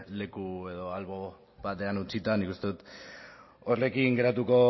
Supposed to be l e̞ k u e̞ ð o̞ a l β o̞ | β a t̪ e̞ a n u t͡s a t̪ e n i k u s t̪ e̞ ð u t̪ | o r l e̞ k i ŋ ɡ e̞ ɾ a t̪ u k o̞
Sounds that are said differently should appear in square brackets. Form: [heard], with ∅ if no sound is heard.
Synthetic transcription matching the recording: l e̞ k u e̞ ð o̞ a l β o̞ | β a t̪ e̞ a n u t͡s [i] t̪ [a] n i k u s t̪ e̞ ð u t̪ | o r l e̞ k i ŋ ɡ e̞ ɾ a t̪ u k o̞